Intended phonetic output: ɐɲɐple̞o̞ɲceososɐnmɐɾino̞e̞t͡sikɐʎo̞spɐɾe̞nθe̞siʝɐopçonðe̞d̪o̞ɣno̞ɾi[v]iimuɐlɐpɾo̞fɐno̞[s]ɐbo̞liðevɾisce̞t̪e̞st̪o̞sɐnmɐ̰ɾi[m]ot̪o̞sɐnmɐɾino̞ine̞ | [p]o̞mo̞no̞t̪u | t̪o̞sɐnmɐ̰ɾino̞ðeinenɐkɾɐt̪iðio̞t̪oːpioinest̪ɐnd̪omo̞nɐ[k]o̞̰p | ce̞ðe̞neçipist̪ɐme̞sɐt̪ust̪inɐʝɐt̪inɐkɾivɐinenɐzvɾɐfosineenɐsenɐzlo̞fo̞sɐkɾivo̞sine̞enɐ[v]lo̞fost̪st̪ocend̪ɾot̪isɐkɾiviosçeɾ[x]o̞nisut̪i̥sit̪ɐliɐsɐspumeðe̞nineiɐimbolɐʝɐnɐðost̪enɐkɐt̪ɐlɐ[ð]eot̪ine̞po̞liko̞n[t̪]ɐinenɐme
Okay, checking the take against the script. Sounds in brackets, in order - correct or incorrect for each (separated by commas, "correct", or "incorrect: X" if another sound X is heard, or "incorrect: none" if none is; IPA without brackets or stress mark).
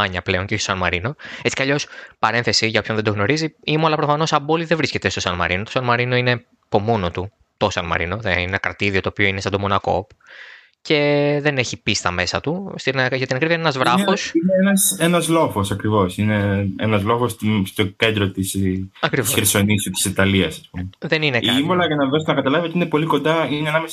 incorrect: z, correct, incorrect: n, correct, correct, incorrect: z, incorrect: s, incorrect: v, incorrect: d̪